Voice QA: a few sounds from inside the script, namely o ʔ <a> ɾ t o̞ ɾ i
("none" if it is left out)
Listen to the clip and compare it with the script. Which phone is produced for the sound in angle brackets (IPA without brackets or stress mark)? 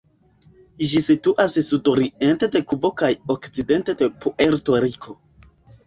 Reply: e